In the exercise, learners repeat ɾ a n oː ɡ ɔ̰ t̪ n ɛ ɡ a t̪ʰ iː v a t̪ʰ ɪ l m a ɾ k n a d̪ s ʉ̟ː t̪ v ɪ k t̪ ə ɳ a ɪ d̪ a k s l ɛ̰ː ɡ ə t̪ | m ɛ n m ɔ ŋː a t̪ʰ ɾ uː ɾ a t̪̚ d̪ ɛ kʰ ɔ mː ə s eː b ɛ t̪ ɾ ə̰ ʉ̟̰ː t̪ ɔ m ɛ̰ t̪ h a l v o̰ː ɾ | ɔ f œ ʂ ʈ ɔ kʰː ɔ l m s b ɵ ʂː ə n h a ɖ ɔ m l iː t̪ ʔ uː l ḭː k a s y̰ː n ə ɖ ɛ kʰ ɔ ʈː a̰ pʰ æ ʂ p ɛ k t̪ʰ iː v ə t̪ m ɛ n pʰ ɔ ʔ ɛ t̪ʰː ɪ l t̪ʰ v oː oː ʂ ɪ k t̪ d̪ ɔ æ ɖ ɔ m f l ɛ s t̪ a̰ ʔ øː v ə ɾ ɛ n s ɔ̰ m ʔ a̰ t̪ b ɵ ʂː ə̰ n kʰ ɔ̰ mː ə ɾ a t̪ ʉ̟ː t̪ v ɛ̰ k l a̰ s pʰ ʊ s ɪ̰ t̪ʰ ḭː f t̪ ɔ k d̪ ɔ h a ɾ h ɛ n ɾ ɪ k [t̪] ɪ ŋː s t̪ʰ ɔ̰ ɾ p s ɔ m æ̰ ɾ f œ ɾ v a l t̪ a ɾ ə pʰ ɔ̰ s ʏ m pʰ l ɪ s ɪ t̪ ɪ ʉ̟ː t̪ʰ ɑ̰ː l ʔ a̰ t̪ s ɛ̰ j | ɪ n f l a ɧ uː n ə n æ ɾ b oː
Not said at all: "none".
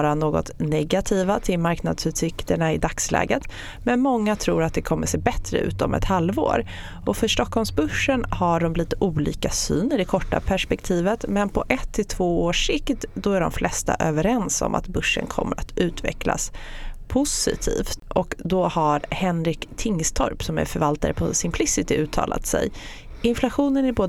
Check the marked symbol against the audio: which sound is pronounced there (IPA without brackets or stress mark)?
t̪ʰ